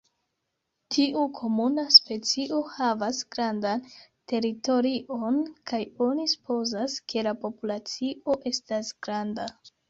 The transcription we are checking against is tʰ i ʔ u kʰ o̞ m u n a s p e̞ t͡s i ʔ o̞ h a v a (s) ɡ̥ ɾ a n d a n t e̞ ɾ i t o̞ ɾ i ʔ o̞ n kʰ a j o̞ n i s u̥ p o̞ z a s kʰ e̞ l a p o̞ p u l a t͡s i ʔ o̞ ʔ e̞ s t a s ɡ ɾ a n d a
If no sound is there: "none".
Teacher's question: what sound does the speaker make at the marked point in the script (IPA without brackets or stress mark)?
s